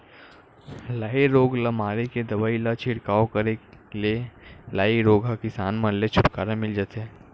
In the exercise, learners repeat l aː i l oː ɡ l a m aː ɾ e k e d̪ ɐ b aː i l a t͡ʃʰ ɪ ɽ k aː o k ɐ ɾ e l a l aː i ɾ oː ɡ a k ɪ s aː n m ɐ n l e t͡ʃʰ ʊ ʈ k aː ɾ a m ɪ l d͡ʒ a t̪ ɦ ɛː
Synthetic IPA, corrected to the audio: l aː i ɾ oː ɡ l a m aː ɾ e k e d̪ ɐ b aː i l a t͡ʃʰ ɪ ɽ k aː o k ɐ ɾ e l e l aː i ɾ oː ɡ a k ɪ s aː n m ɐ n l e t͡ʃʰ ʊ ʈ k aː ɾ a m ɪ l d͡ʒ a t̪ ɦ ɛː